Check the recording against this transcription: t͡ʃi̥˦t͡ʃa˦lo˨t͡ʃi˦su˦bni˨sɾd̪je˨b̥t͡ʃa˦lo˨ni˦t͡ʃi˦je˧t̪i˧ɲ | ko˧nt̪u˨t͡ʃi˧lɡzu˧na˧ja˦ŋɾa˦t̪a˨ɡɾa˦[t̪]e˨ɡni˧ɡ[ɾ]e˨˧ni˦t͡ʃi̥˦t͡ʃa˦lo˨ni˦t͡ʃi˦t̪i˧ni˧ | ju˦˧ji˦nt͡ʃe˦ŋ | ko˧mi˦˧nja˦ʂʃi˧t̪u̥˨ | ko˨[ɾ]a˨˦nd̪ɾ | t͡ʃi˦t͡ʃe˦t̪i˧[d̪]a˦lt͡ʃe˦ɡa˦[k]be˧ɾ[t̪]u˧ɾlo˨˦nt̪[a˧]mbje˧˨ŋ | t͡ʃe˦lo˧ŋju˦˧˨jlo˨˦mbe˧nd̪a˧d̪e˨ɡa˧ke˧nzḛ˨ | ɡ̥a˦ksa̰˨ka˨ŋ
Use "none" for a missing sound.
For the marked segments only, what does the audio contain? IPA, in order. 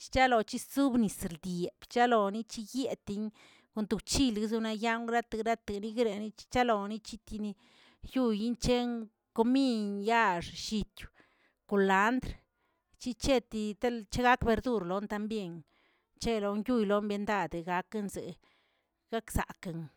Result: t̪, ɾ, l, t̪, k, d̪, a˧

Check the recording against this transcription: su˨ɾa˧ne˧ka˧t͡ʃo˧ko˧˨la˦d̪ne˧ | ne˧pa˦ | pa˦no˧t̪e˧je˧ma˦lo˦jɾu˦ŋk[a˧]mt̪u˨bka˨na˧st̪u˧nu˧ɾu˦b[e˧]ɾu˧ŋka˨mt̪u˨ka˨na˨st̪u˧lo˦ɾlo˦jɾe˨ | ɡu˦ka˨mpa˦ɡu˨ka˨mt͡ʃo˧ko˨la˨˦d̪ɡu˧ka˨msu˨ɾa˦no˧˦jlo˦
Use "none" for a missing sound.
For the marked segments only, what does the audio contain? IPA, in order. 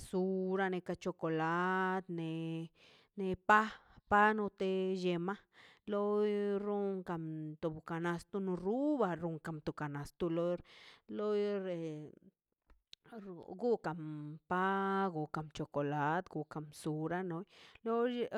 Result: a˧, a˧

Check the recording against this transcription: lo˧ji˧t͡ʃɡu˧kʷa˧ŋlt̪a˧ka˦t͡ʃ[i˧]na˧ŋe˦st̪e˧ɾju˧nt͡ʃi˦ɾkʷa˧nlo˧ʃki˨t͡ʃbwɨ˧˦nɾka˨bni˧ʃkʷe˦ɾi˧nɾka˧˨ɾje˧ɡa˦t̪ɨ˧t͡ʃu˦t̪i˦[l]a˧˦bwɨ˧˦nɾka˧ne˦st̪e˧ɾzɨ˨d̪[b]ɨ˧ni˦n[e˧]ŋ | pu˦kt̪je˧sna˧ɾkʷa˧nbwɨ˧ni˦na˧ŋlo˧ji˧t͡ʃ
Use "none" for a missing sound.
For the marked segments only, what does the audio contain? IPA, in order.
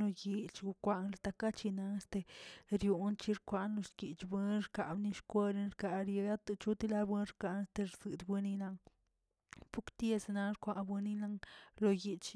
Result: i˧, l, b, a˧

